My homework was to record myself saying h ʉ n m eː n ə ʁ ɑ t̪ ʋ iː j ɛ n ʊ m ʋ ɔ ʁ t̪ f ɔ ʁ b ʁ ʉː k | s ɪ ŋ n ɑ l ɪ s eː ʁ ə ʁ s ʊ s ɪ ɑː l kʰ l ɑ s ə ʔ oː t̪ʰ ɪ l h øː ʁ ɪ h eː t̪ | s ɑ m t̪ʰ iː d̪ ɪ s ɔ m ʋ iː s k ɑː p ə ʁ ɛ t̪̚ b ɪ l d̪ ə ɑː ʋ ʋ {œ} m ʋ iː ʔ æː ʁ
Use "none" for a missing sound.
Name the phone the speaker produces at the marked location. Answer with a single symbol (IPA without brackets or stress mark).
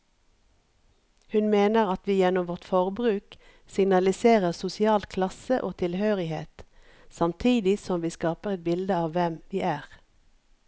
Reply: ɛ